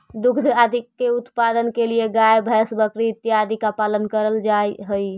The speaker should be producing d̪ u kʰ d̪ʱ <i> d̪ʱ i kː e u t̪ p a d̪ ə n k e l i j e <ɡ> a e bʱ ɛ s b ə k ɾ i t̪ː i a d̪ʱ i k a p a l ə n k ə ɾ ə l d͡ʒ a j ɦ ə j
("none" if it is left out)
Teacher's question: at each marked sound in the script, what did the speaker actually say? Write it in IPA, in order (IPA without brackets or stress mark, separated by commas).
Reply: a, ɡ